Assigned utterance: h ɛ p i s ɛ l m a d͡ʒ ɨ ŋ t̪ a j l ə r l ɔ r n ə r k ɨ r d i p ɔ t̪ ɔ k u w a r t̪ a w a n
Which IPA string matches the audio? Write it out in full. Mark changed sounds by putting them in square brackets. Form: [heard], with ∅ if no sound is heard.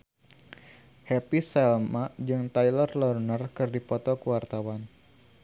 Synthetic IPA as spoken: h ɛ p i s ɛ l m a d͡ʒ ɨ ŋ t̪ a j l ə r l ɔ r n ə r k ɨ r d i p ɔ t̪ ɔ k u w a r t̪ a w a n